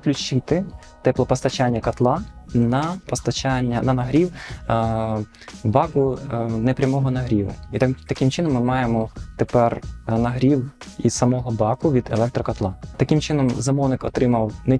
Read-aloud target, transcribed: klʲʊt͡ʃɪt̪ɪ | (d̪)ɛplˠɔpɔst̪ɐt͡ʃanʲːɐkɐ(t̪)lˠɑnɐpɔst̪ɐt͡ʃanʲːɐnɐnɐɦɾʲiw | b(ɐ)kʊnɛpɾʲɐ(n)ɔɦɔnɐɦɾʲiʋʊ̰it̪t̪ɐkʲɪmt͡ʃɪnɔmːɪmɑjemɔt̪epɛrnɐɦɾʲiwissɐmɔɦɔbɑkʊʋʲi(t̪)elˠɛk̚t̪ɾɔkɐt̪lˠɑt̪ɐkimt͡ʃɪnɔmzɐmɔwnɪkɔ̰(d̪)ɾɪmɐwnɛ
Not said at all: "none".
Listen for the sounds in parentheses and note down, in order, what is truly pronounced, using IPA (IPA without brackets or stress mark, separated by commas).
t̪, t̪, ɑ, m, d̪, t̪